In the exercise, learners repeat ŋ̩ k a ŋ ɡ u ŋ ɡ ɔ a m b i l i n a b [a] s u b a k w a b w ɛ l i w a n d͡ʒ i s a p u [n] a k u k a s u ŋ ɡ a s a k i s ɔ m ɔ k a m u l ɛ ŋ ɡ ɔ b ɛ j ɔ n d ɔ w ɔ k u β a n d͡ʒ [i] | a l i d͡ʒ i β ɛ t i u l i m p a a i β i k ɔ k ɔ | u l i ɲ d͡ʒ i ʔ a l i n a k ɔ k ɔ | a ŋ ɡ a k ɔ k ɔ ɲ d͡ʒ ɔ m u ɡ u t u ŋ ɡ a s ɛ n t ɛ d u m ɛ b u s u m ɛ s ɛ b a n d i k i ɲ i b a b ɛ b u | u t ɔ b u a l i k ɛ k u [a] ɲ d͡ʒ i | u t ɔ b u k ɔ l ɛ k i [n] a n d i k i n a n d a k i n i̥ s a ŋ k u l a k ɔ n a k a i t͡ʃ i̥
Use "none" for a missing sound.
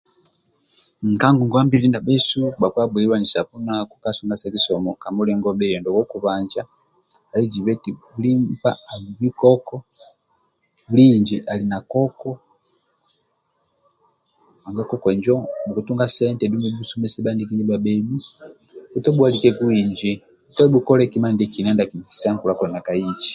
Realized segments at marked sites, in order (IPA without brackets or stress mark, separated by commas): ɛ, n, a, i, m